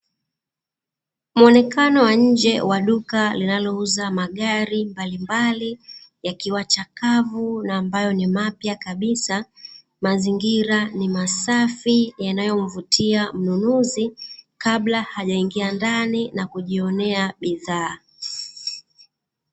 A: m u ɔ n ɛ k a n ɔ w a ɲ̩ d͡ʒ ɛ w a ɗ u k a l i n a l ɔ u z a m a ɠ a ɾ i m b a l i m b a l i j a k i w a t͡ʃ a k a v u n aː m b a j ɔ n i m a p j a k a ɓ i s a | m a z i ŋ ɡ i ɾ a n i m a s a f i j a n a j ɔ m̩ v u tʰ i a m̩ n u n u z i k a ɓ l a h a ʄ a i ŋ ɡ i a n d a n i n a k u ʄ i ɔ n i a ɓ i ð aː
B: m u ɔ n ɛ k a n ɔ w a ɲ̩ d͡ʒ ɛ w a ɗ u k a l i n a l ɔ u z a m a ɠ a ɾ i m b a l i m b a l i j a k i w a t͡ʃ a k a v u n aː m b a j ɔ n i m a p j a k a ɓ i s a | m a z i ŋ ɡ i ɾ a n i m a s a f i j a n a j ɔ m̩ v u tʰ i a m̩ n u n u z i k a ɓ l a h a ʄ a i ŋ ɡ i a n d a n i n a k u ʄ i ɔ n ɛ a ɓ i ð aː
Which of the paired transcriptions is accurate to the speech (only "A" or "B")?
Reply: B